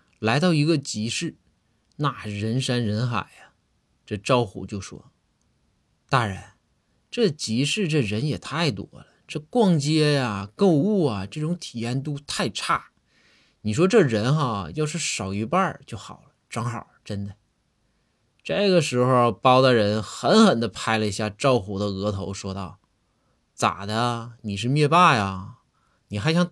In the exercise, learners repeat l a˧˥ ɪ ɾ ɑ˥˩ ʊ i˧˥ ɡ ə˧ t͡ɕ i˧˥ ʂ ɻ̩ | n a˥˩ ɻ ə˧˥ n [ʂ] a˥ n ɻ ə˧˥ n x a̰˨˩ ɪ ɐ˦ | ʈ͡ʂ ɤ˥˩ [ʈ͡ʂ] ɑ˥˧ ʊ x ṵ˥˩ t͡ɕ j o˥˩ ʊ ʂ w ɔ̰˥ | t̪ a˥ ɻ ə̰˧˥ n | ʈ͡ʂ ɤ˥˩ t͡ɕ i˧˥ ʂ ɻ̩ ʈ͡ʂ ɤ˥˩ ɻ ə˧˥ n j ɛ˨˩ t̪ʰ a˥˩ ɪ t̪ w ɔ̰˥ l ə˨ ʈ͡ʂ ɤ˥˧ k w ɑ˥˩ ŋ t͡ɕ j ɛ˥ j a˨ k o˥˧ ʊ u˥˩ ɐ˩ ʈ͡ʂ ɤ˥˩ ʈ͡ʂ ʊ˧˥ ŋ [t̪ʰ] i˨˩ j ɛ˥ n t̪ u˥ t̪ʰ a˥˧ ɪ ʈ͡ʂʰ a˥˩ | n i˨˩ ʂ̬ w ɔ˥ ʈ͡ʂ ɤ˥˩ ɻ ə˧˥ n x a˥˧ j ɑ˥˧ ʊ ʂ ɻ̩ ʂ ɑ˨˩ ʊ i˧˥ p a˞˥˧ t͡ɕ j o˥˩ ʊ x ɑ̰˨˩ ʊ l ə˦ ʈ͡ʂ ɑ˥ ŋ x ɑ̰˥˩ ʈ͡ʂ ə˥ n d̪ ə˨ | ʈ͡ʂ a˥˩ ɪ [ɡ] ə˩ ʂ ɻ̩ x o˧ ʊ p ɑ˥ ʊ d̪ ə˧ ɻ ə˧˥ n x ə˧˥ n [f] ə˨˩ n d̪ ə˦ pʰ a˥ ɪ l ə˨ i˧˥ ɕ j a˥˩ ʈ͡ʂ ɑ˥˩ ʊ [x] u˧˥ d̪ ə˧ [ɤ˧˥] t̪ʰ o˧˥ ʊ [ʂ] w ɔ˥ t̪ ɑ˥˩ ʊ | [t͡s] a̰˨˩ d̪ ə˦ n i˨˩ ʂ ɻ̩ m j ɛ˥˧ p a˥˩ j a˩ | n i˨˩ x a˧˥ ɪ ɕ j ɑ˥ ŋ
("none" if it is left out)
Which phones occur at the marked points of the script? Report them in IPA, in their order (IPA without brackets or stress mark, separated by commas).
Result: ʂ, ʈ͡ʂ, t̪ʰ, ɡ, x, x, ɤ˧˥, ʂ, t͡s